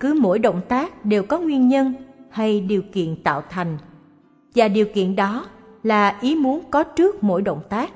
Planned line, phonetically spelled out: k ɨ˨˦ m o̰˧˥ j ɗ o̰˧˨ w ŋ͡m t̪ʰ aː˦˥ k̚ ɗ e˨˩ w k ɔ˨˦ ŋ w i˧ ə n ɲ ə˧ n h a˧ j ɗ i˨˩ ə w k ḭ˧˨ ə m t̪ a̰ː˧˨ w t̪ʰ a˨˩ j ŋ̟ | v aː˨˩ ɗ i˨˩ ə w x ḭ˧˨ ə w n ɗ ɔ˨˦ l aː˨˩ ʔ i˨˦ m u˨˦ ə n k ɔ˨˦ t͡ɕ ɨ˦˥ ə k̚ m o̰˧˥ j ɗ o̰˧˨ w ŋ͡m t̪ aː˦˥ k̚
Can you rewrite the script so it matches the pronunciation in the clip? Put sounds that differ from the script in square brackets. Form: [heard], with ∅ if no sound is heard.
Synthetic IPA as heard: k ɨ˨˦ m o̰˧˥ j ɗ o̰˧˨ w ŋ͡m [t̪] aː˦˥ k̚ ɗ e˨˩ w k ɔ˨˦ ŋ w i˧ ə n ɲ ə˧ n h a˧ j ɗ i˨˩ ə w k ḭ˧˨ ə [n] t̪ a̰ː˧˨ w t̪ʰ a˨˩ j ŋ̟ | v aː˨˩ ɗ i˨˩ ə w [k] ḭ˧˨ ə [∅] n ɗ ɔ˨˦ l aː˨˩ ʔ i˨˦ m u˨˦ ə n k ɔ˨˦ t͡ɕ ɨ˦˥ ə k̚ m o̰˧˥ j ɗ o̰˧˨ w ŋ͡m t̪ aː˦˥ k̚